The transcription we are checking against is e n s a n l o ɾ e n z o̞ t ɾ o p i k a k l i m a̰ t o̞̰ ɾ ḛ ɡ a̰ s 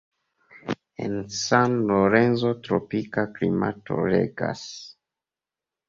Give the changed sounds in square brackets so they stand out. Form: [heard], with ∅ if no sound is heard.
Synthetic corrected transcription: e n s a n l o ɾ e n z o̞ t ɾ o p i k a k l i m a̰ t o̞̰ ɾ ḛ ɡ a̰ s